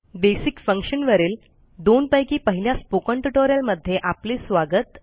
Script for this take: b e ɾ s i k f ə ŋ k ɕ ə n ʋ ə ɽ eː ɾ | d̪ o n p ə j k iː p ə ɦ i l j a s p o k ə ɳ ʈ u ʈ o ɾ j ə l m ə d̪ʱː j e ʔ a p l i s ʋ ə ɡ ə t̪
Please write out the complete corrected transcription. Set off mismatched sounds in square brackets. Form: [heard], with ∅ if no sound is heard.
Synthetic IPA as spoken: b e [∅] s i k f ə ŋ k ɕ ə n ʋ ə [ɾ] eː [l] | d̪ o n p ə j k iː p ə ɦ i l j a s p o k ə ɳ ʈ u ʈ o ɾ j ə l m ə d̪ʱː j e ʔ a p l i s ʋ [a] ɡ ə t̪